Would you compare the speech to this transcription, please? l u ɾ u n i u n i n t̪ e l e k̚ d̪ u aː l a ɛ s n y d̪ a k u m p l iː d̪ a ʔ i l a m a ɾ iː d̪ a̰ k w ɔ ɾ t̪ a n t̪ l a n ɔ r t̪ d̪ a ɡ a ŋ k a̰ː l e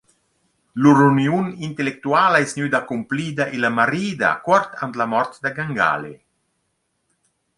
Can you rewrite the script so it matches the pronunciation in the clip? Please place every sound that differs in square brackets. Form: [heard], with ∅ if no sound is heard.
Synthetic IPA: l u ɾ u n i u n i n t̪ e l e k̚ [t̪] u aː l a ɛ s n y d̪ a k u m p l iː d̪ a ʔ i l a m a ɾ iː d̪ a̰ k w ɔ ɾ t̪ a n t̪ l a [m] ɔ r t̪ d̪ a ɡ a ŋ [ɡ] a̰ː l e